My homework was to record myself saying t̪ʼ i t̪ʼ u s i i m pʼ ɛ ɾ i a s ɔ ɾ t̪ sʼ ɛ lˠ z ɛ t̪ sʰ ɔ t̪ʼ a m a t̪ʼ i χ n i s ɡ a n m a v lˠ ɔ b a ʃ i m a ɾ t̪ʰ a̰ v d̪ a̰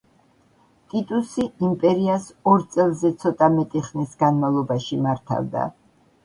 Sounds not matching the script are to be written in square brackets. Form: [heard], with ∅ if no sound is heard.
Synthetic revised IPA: t̪ʼ i t̪ʼ u s i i m pʼ ɛ ɾ i a s ɔ ɾ t̪ sʼ ɛ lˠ z ɛ t̪ sʰ ɔ t̪ʼ a m [ɛ] t̪ʼ i χ n i s ɡ a n m a v lˠ ɔ b a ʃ i m a ɾ t̪ʰ a̰ v d̪ a̰